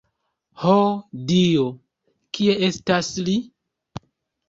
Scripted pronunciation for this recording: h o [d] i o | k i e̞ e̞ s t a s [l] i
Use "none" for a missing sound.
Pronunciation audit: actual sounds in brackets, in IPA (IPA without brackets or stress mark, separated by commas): d, l